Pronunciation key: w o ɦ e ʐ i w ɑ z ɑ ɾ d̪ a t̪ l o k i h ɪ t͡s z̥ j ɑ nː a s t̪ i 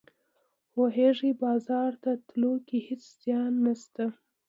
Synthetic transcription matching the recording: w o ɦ e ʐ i b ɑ z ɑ ɾ t̪ a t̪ l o k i h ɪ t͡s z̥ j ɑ nː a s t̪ a